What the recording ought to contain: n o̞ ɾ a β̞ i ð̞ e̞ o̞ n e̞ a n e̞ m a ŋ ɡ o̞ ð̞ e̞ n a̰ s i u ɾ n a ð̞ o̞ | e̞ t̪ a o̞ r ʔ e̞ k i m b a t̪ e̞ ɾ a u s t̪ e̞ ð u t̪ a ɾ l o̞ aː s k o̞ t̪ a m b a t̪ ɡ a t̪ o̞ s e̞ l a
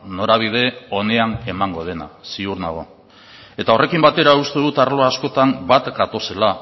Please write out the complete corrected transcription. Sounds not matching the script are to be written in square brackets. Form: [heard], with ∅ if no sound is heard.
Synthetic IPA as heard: n o̞ ɾ a β̞ i ð̞ e̞ o̞ n e̞ a n e̞ m a ŋ ɡ o̞ ð̞ e̞ n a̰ s i u ɾ n a [ɣ̞] o̞ | e̞ t̪ a o̞ r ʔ e̞ k i m b a t̪ e̞ ɾ a u s t̪ e̞ ð u t̪ a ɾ l o̞ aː s k o̞ t̪ a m b a t̪ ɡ a t̪ o̞ s e̞ l a

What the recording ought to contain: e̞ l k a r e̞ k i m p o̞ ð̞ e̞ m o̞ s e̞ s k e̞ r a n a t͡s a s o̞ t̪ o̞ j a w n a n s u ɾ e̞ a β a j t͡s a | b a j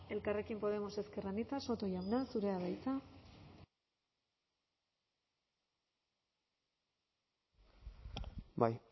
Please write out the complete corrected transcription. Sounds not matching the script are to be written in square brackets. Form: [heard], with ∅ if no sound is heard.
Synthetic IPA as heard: e̞ l k a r e̞ k i m p o̞ ð̞ e̞ m o̞ s e̞ s k e̞ r a n [i] t͡s a s o̞ t̪ o̞ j a w n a n s u ɾ e̞ a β a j t͡s a | b a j

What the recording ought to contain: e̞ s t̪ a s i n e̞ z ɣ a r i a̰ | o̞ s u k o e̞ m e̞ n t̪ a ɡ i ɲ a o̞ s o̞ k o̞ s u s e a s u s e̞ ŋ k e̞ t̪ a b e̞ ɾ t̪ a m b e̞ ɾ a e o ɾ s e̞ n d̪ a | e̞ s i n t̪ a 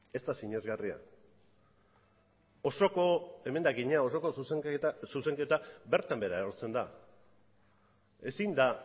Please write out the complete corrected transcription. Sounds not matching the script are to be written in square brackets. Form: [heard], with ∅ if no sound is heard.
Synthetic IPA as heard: e̞ s t̪ a s i [ɲ] e̞ z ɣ a r i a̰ | o̞ s [o] k o e̞ m e̞ n [d̪] a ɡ i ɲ a o̞ s o̞ k o̞ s u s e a s u s e̞ ŋ k e̞ t̪ a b e̞ ɾ t̪ a m b e̞ ɾ a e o ɾ [t͡s] e̞ n d̪ a | e̞ s i n [d̪] a

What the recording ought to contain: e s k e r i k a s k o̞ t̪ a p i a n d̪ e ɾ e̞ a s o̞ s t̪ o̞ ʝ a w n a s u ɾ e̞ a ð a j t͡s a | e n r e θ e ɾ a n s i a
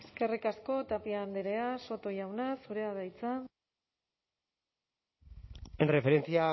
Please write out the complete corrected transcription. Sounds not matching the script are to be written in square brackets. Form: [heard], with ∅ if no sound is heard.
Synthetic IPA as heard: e s k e r i k a s k o̞ t̪ a p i a n d̪ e ɾ e̞ a s o̞ [∅] t̪ o̞ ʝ a w n a s u ɾ e̞ a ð a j t͡s a | e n r e [f] e ɾ [e] n [t͡s] i a

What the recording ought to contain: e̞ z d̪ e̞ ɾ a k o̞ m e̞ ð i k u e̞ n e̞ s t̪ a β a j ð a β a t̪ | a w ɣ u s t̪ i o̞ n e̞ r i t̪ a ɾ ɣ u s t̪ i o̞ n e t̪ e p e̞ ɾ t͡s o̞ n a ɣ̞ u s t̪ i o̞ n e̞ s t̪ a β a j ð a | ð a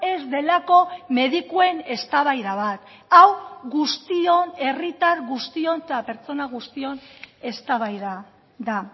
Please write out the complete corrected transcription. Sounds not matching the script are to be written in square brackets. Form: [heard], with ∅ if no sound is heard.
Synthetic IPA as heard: e̞ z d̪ e̞ [l] a k o̞ m e̞ ð i k u e̞ n e̞ s t̪ a β a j ð a β a t̪ | a w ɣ u s t̪ i o̞ n e̞ r i t̪ a ɾ ɣ u s t̪ i o̞ n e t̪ [a] p e̞ ɾ t͡s o̞ n a ɣ̞ u s t̪ i o̞ n e̞ s t̪ a β a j ð a | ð a

